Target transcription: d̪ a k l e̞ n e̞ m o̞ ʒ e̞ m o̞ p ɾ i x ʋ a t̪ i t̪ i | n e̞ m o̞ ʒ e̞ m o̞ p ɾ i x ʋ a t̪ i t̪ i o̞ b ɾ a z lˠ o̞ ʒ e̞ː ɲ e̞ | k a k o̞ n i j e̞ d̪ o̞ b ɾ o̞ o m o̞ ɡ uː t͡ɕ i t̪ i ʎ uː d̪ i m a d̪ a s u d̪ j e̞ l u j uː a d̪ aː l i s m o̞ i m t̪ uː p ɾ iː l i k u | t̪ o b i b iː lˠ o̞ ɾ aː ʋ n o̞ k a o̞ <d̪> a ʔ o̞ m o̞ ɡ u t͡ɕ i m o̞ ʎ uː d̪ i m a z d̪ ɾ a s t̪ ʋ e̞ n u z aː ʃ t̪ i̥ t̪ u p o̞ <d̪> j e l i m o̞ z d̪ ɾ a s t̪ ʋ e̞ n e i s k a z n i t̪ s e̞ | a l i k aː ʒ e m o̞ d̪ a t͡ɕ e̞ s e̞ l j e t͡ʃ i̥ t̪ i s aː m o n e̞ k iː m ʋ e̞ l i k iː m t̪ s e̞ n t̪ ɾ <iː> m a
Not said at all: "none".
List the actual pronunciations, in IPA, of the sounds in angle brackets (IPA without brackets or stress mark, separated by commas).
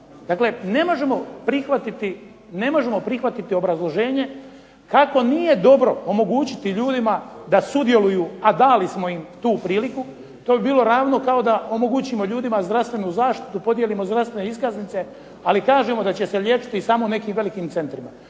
d̪, d̪, i